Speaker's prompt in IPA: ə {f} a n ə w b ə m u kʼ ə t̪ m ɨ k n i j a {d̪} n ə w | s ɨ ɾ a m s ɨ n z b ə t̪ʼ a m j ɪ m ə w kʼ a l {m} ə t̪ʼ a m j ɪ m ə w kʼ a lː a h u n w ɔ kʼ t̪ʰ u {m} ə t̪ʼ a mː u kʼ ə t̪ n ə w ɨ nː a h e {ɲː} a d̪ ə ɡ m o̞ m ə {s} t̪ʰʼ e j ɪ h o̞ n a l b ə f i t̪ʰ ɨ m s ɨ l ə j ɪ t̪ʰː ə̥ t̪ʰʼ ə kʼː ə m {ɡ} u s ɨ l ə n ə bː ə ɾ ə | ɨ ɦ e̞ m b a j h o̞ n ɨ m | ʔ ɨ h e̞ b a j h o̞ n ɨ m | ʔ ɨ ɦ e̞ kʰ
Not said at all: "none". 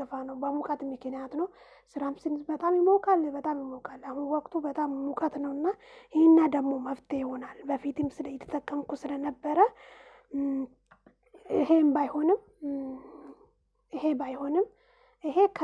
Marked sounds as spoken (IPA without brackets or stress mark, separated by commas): f, t̪, b, b, nː, f, k